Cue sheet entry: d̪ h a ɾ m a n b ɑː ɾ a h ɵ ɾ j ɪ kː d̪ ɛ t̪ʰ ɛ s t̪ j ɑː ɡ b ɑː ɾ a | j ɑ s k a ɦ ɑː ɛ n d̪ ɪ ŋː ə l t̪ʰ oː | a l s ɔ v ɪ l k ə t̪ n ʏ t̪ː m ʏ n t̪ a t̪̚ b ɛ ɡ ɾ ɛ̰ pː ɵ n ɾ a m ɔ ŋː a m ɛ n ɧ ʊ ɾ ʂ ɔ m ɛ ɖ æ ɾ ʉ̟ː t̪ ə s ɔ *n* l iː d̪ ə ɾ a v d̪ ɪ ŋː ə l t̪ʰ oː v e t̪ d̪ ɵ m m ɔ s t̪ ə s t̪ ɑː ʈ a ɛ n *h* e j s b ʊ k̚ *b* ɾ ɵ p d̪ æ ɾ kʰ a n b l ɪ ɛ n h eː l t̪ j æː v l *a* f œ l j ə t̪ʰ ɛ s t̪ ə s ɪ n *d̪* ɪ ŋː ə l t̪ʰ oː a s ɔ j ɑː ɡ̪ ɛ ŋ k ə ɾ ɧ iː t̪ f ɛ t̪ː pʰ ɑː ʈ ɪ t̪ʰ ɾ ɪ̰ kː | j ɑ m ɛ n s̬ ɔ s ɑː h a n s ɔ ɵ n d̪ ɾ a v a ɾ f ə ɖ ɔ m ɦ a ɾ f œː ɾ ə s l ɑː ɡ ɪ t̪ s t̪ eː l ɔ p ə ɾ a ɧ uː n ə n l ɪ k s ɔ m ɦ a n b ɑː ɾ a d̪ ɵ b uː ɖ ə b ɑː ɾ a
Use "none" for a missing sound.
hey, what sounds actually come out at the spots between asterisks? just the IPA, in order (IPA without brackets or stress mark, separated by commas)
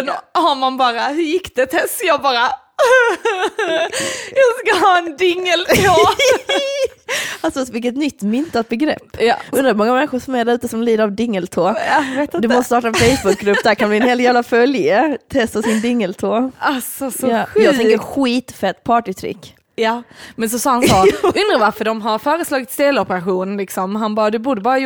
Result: m, f, ɡ, a, d̪